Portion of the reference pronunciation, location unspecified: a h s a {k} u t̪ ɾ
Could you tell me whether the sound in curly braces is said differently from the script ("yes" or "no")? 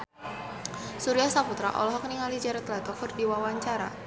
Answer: yes